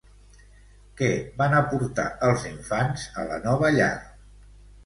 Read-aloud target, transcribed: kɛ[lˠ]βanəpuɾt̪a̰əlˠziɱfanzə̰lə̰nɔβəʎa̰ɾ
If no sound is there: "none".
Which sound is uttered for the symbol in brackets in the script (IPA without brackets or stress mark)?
none